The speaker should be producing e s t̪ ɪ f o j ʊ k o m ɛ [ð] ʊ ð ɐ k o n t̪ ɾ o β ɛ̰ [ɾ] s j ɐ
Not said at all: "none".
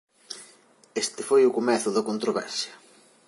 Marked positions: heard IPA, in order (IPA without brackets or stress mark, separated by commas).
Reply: θ, ɾ